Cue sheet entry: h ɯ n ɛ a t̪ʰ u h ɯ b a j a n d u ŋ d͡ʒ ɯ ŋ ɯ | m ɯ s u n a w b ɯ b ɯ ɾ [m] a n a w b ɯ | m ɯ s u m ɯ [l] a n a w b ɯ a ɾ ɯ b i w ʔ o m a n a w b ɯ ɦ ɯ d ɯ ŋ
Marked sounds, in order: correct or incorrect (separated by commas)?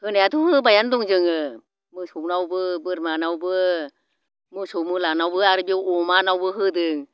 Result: correct, correct